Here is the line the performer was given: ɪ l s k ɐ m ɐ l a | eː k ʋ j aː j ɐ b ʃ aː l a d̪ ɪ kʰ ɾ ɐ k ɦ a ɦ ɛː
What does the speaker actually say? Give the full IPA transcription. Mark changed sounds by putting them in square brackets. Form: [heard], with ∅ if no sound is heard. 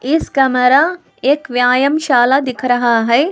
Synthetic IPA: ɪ [∅] s k ɐ m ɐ [ɾ] a | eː k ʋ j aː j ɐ [m] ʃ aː l a d̪ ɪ kʰ ɾ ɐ [∅] ɦ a ɦ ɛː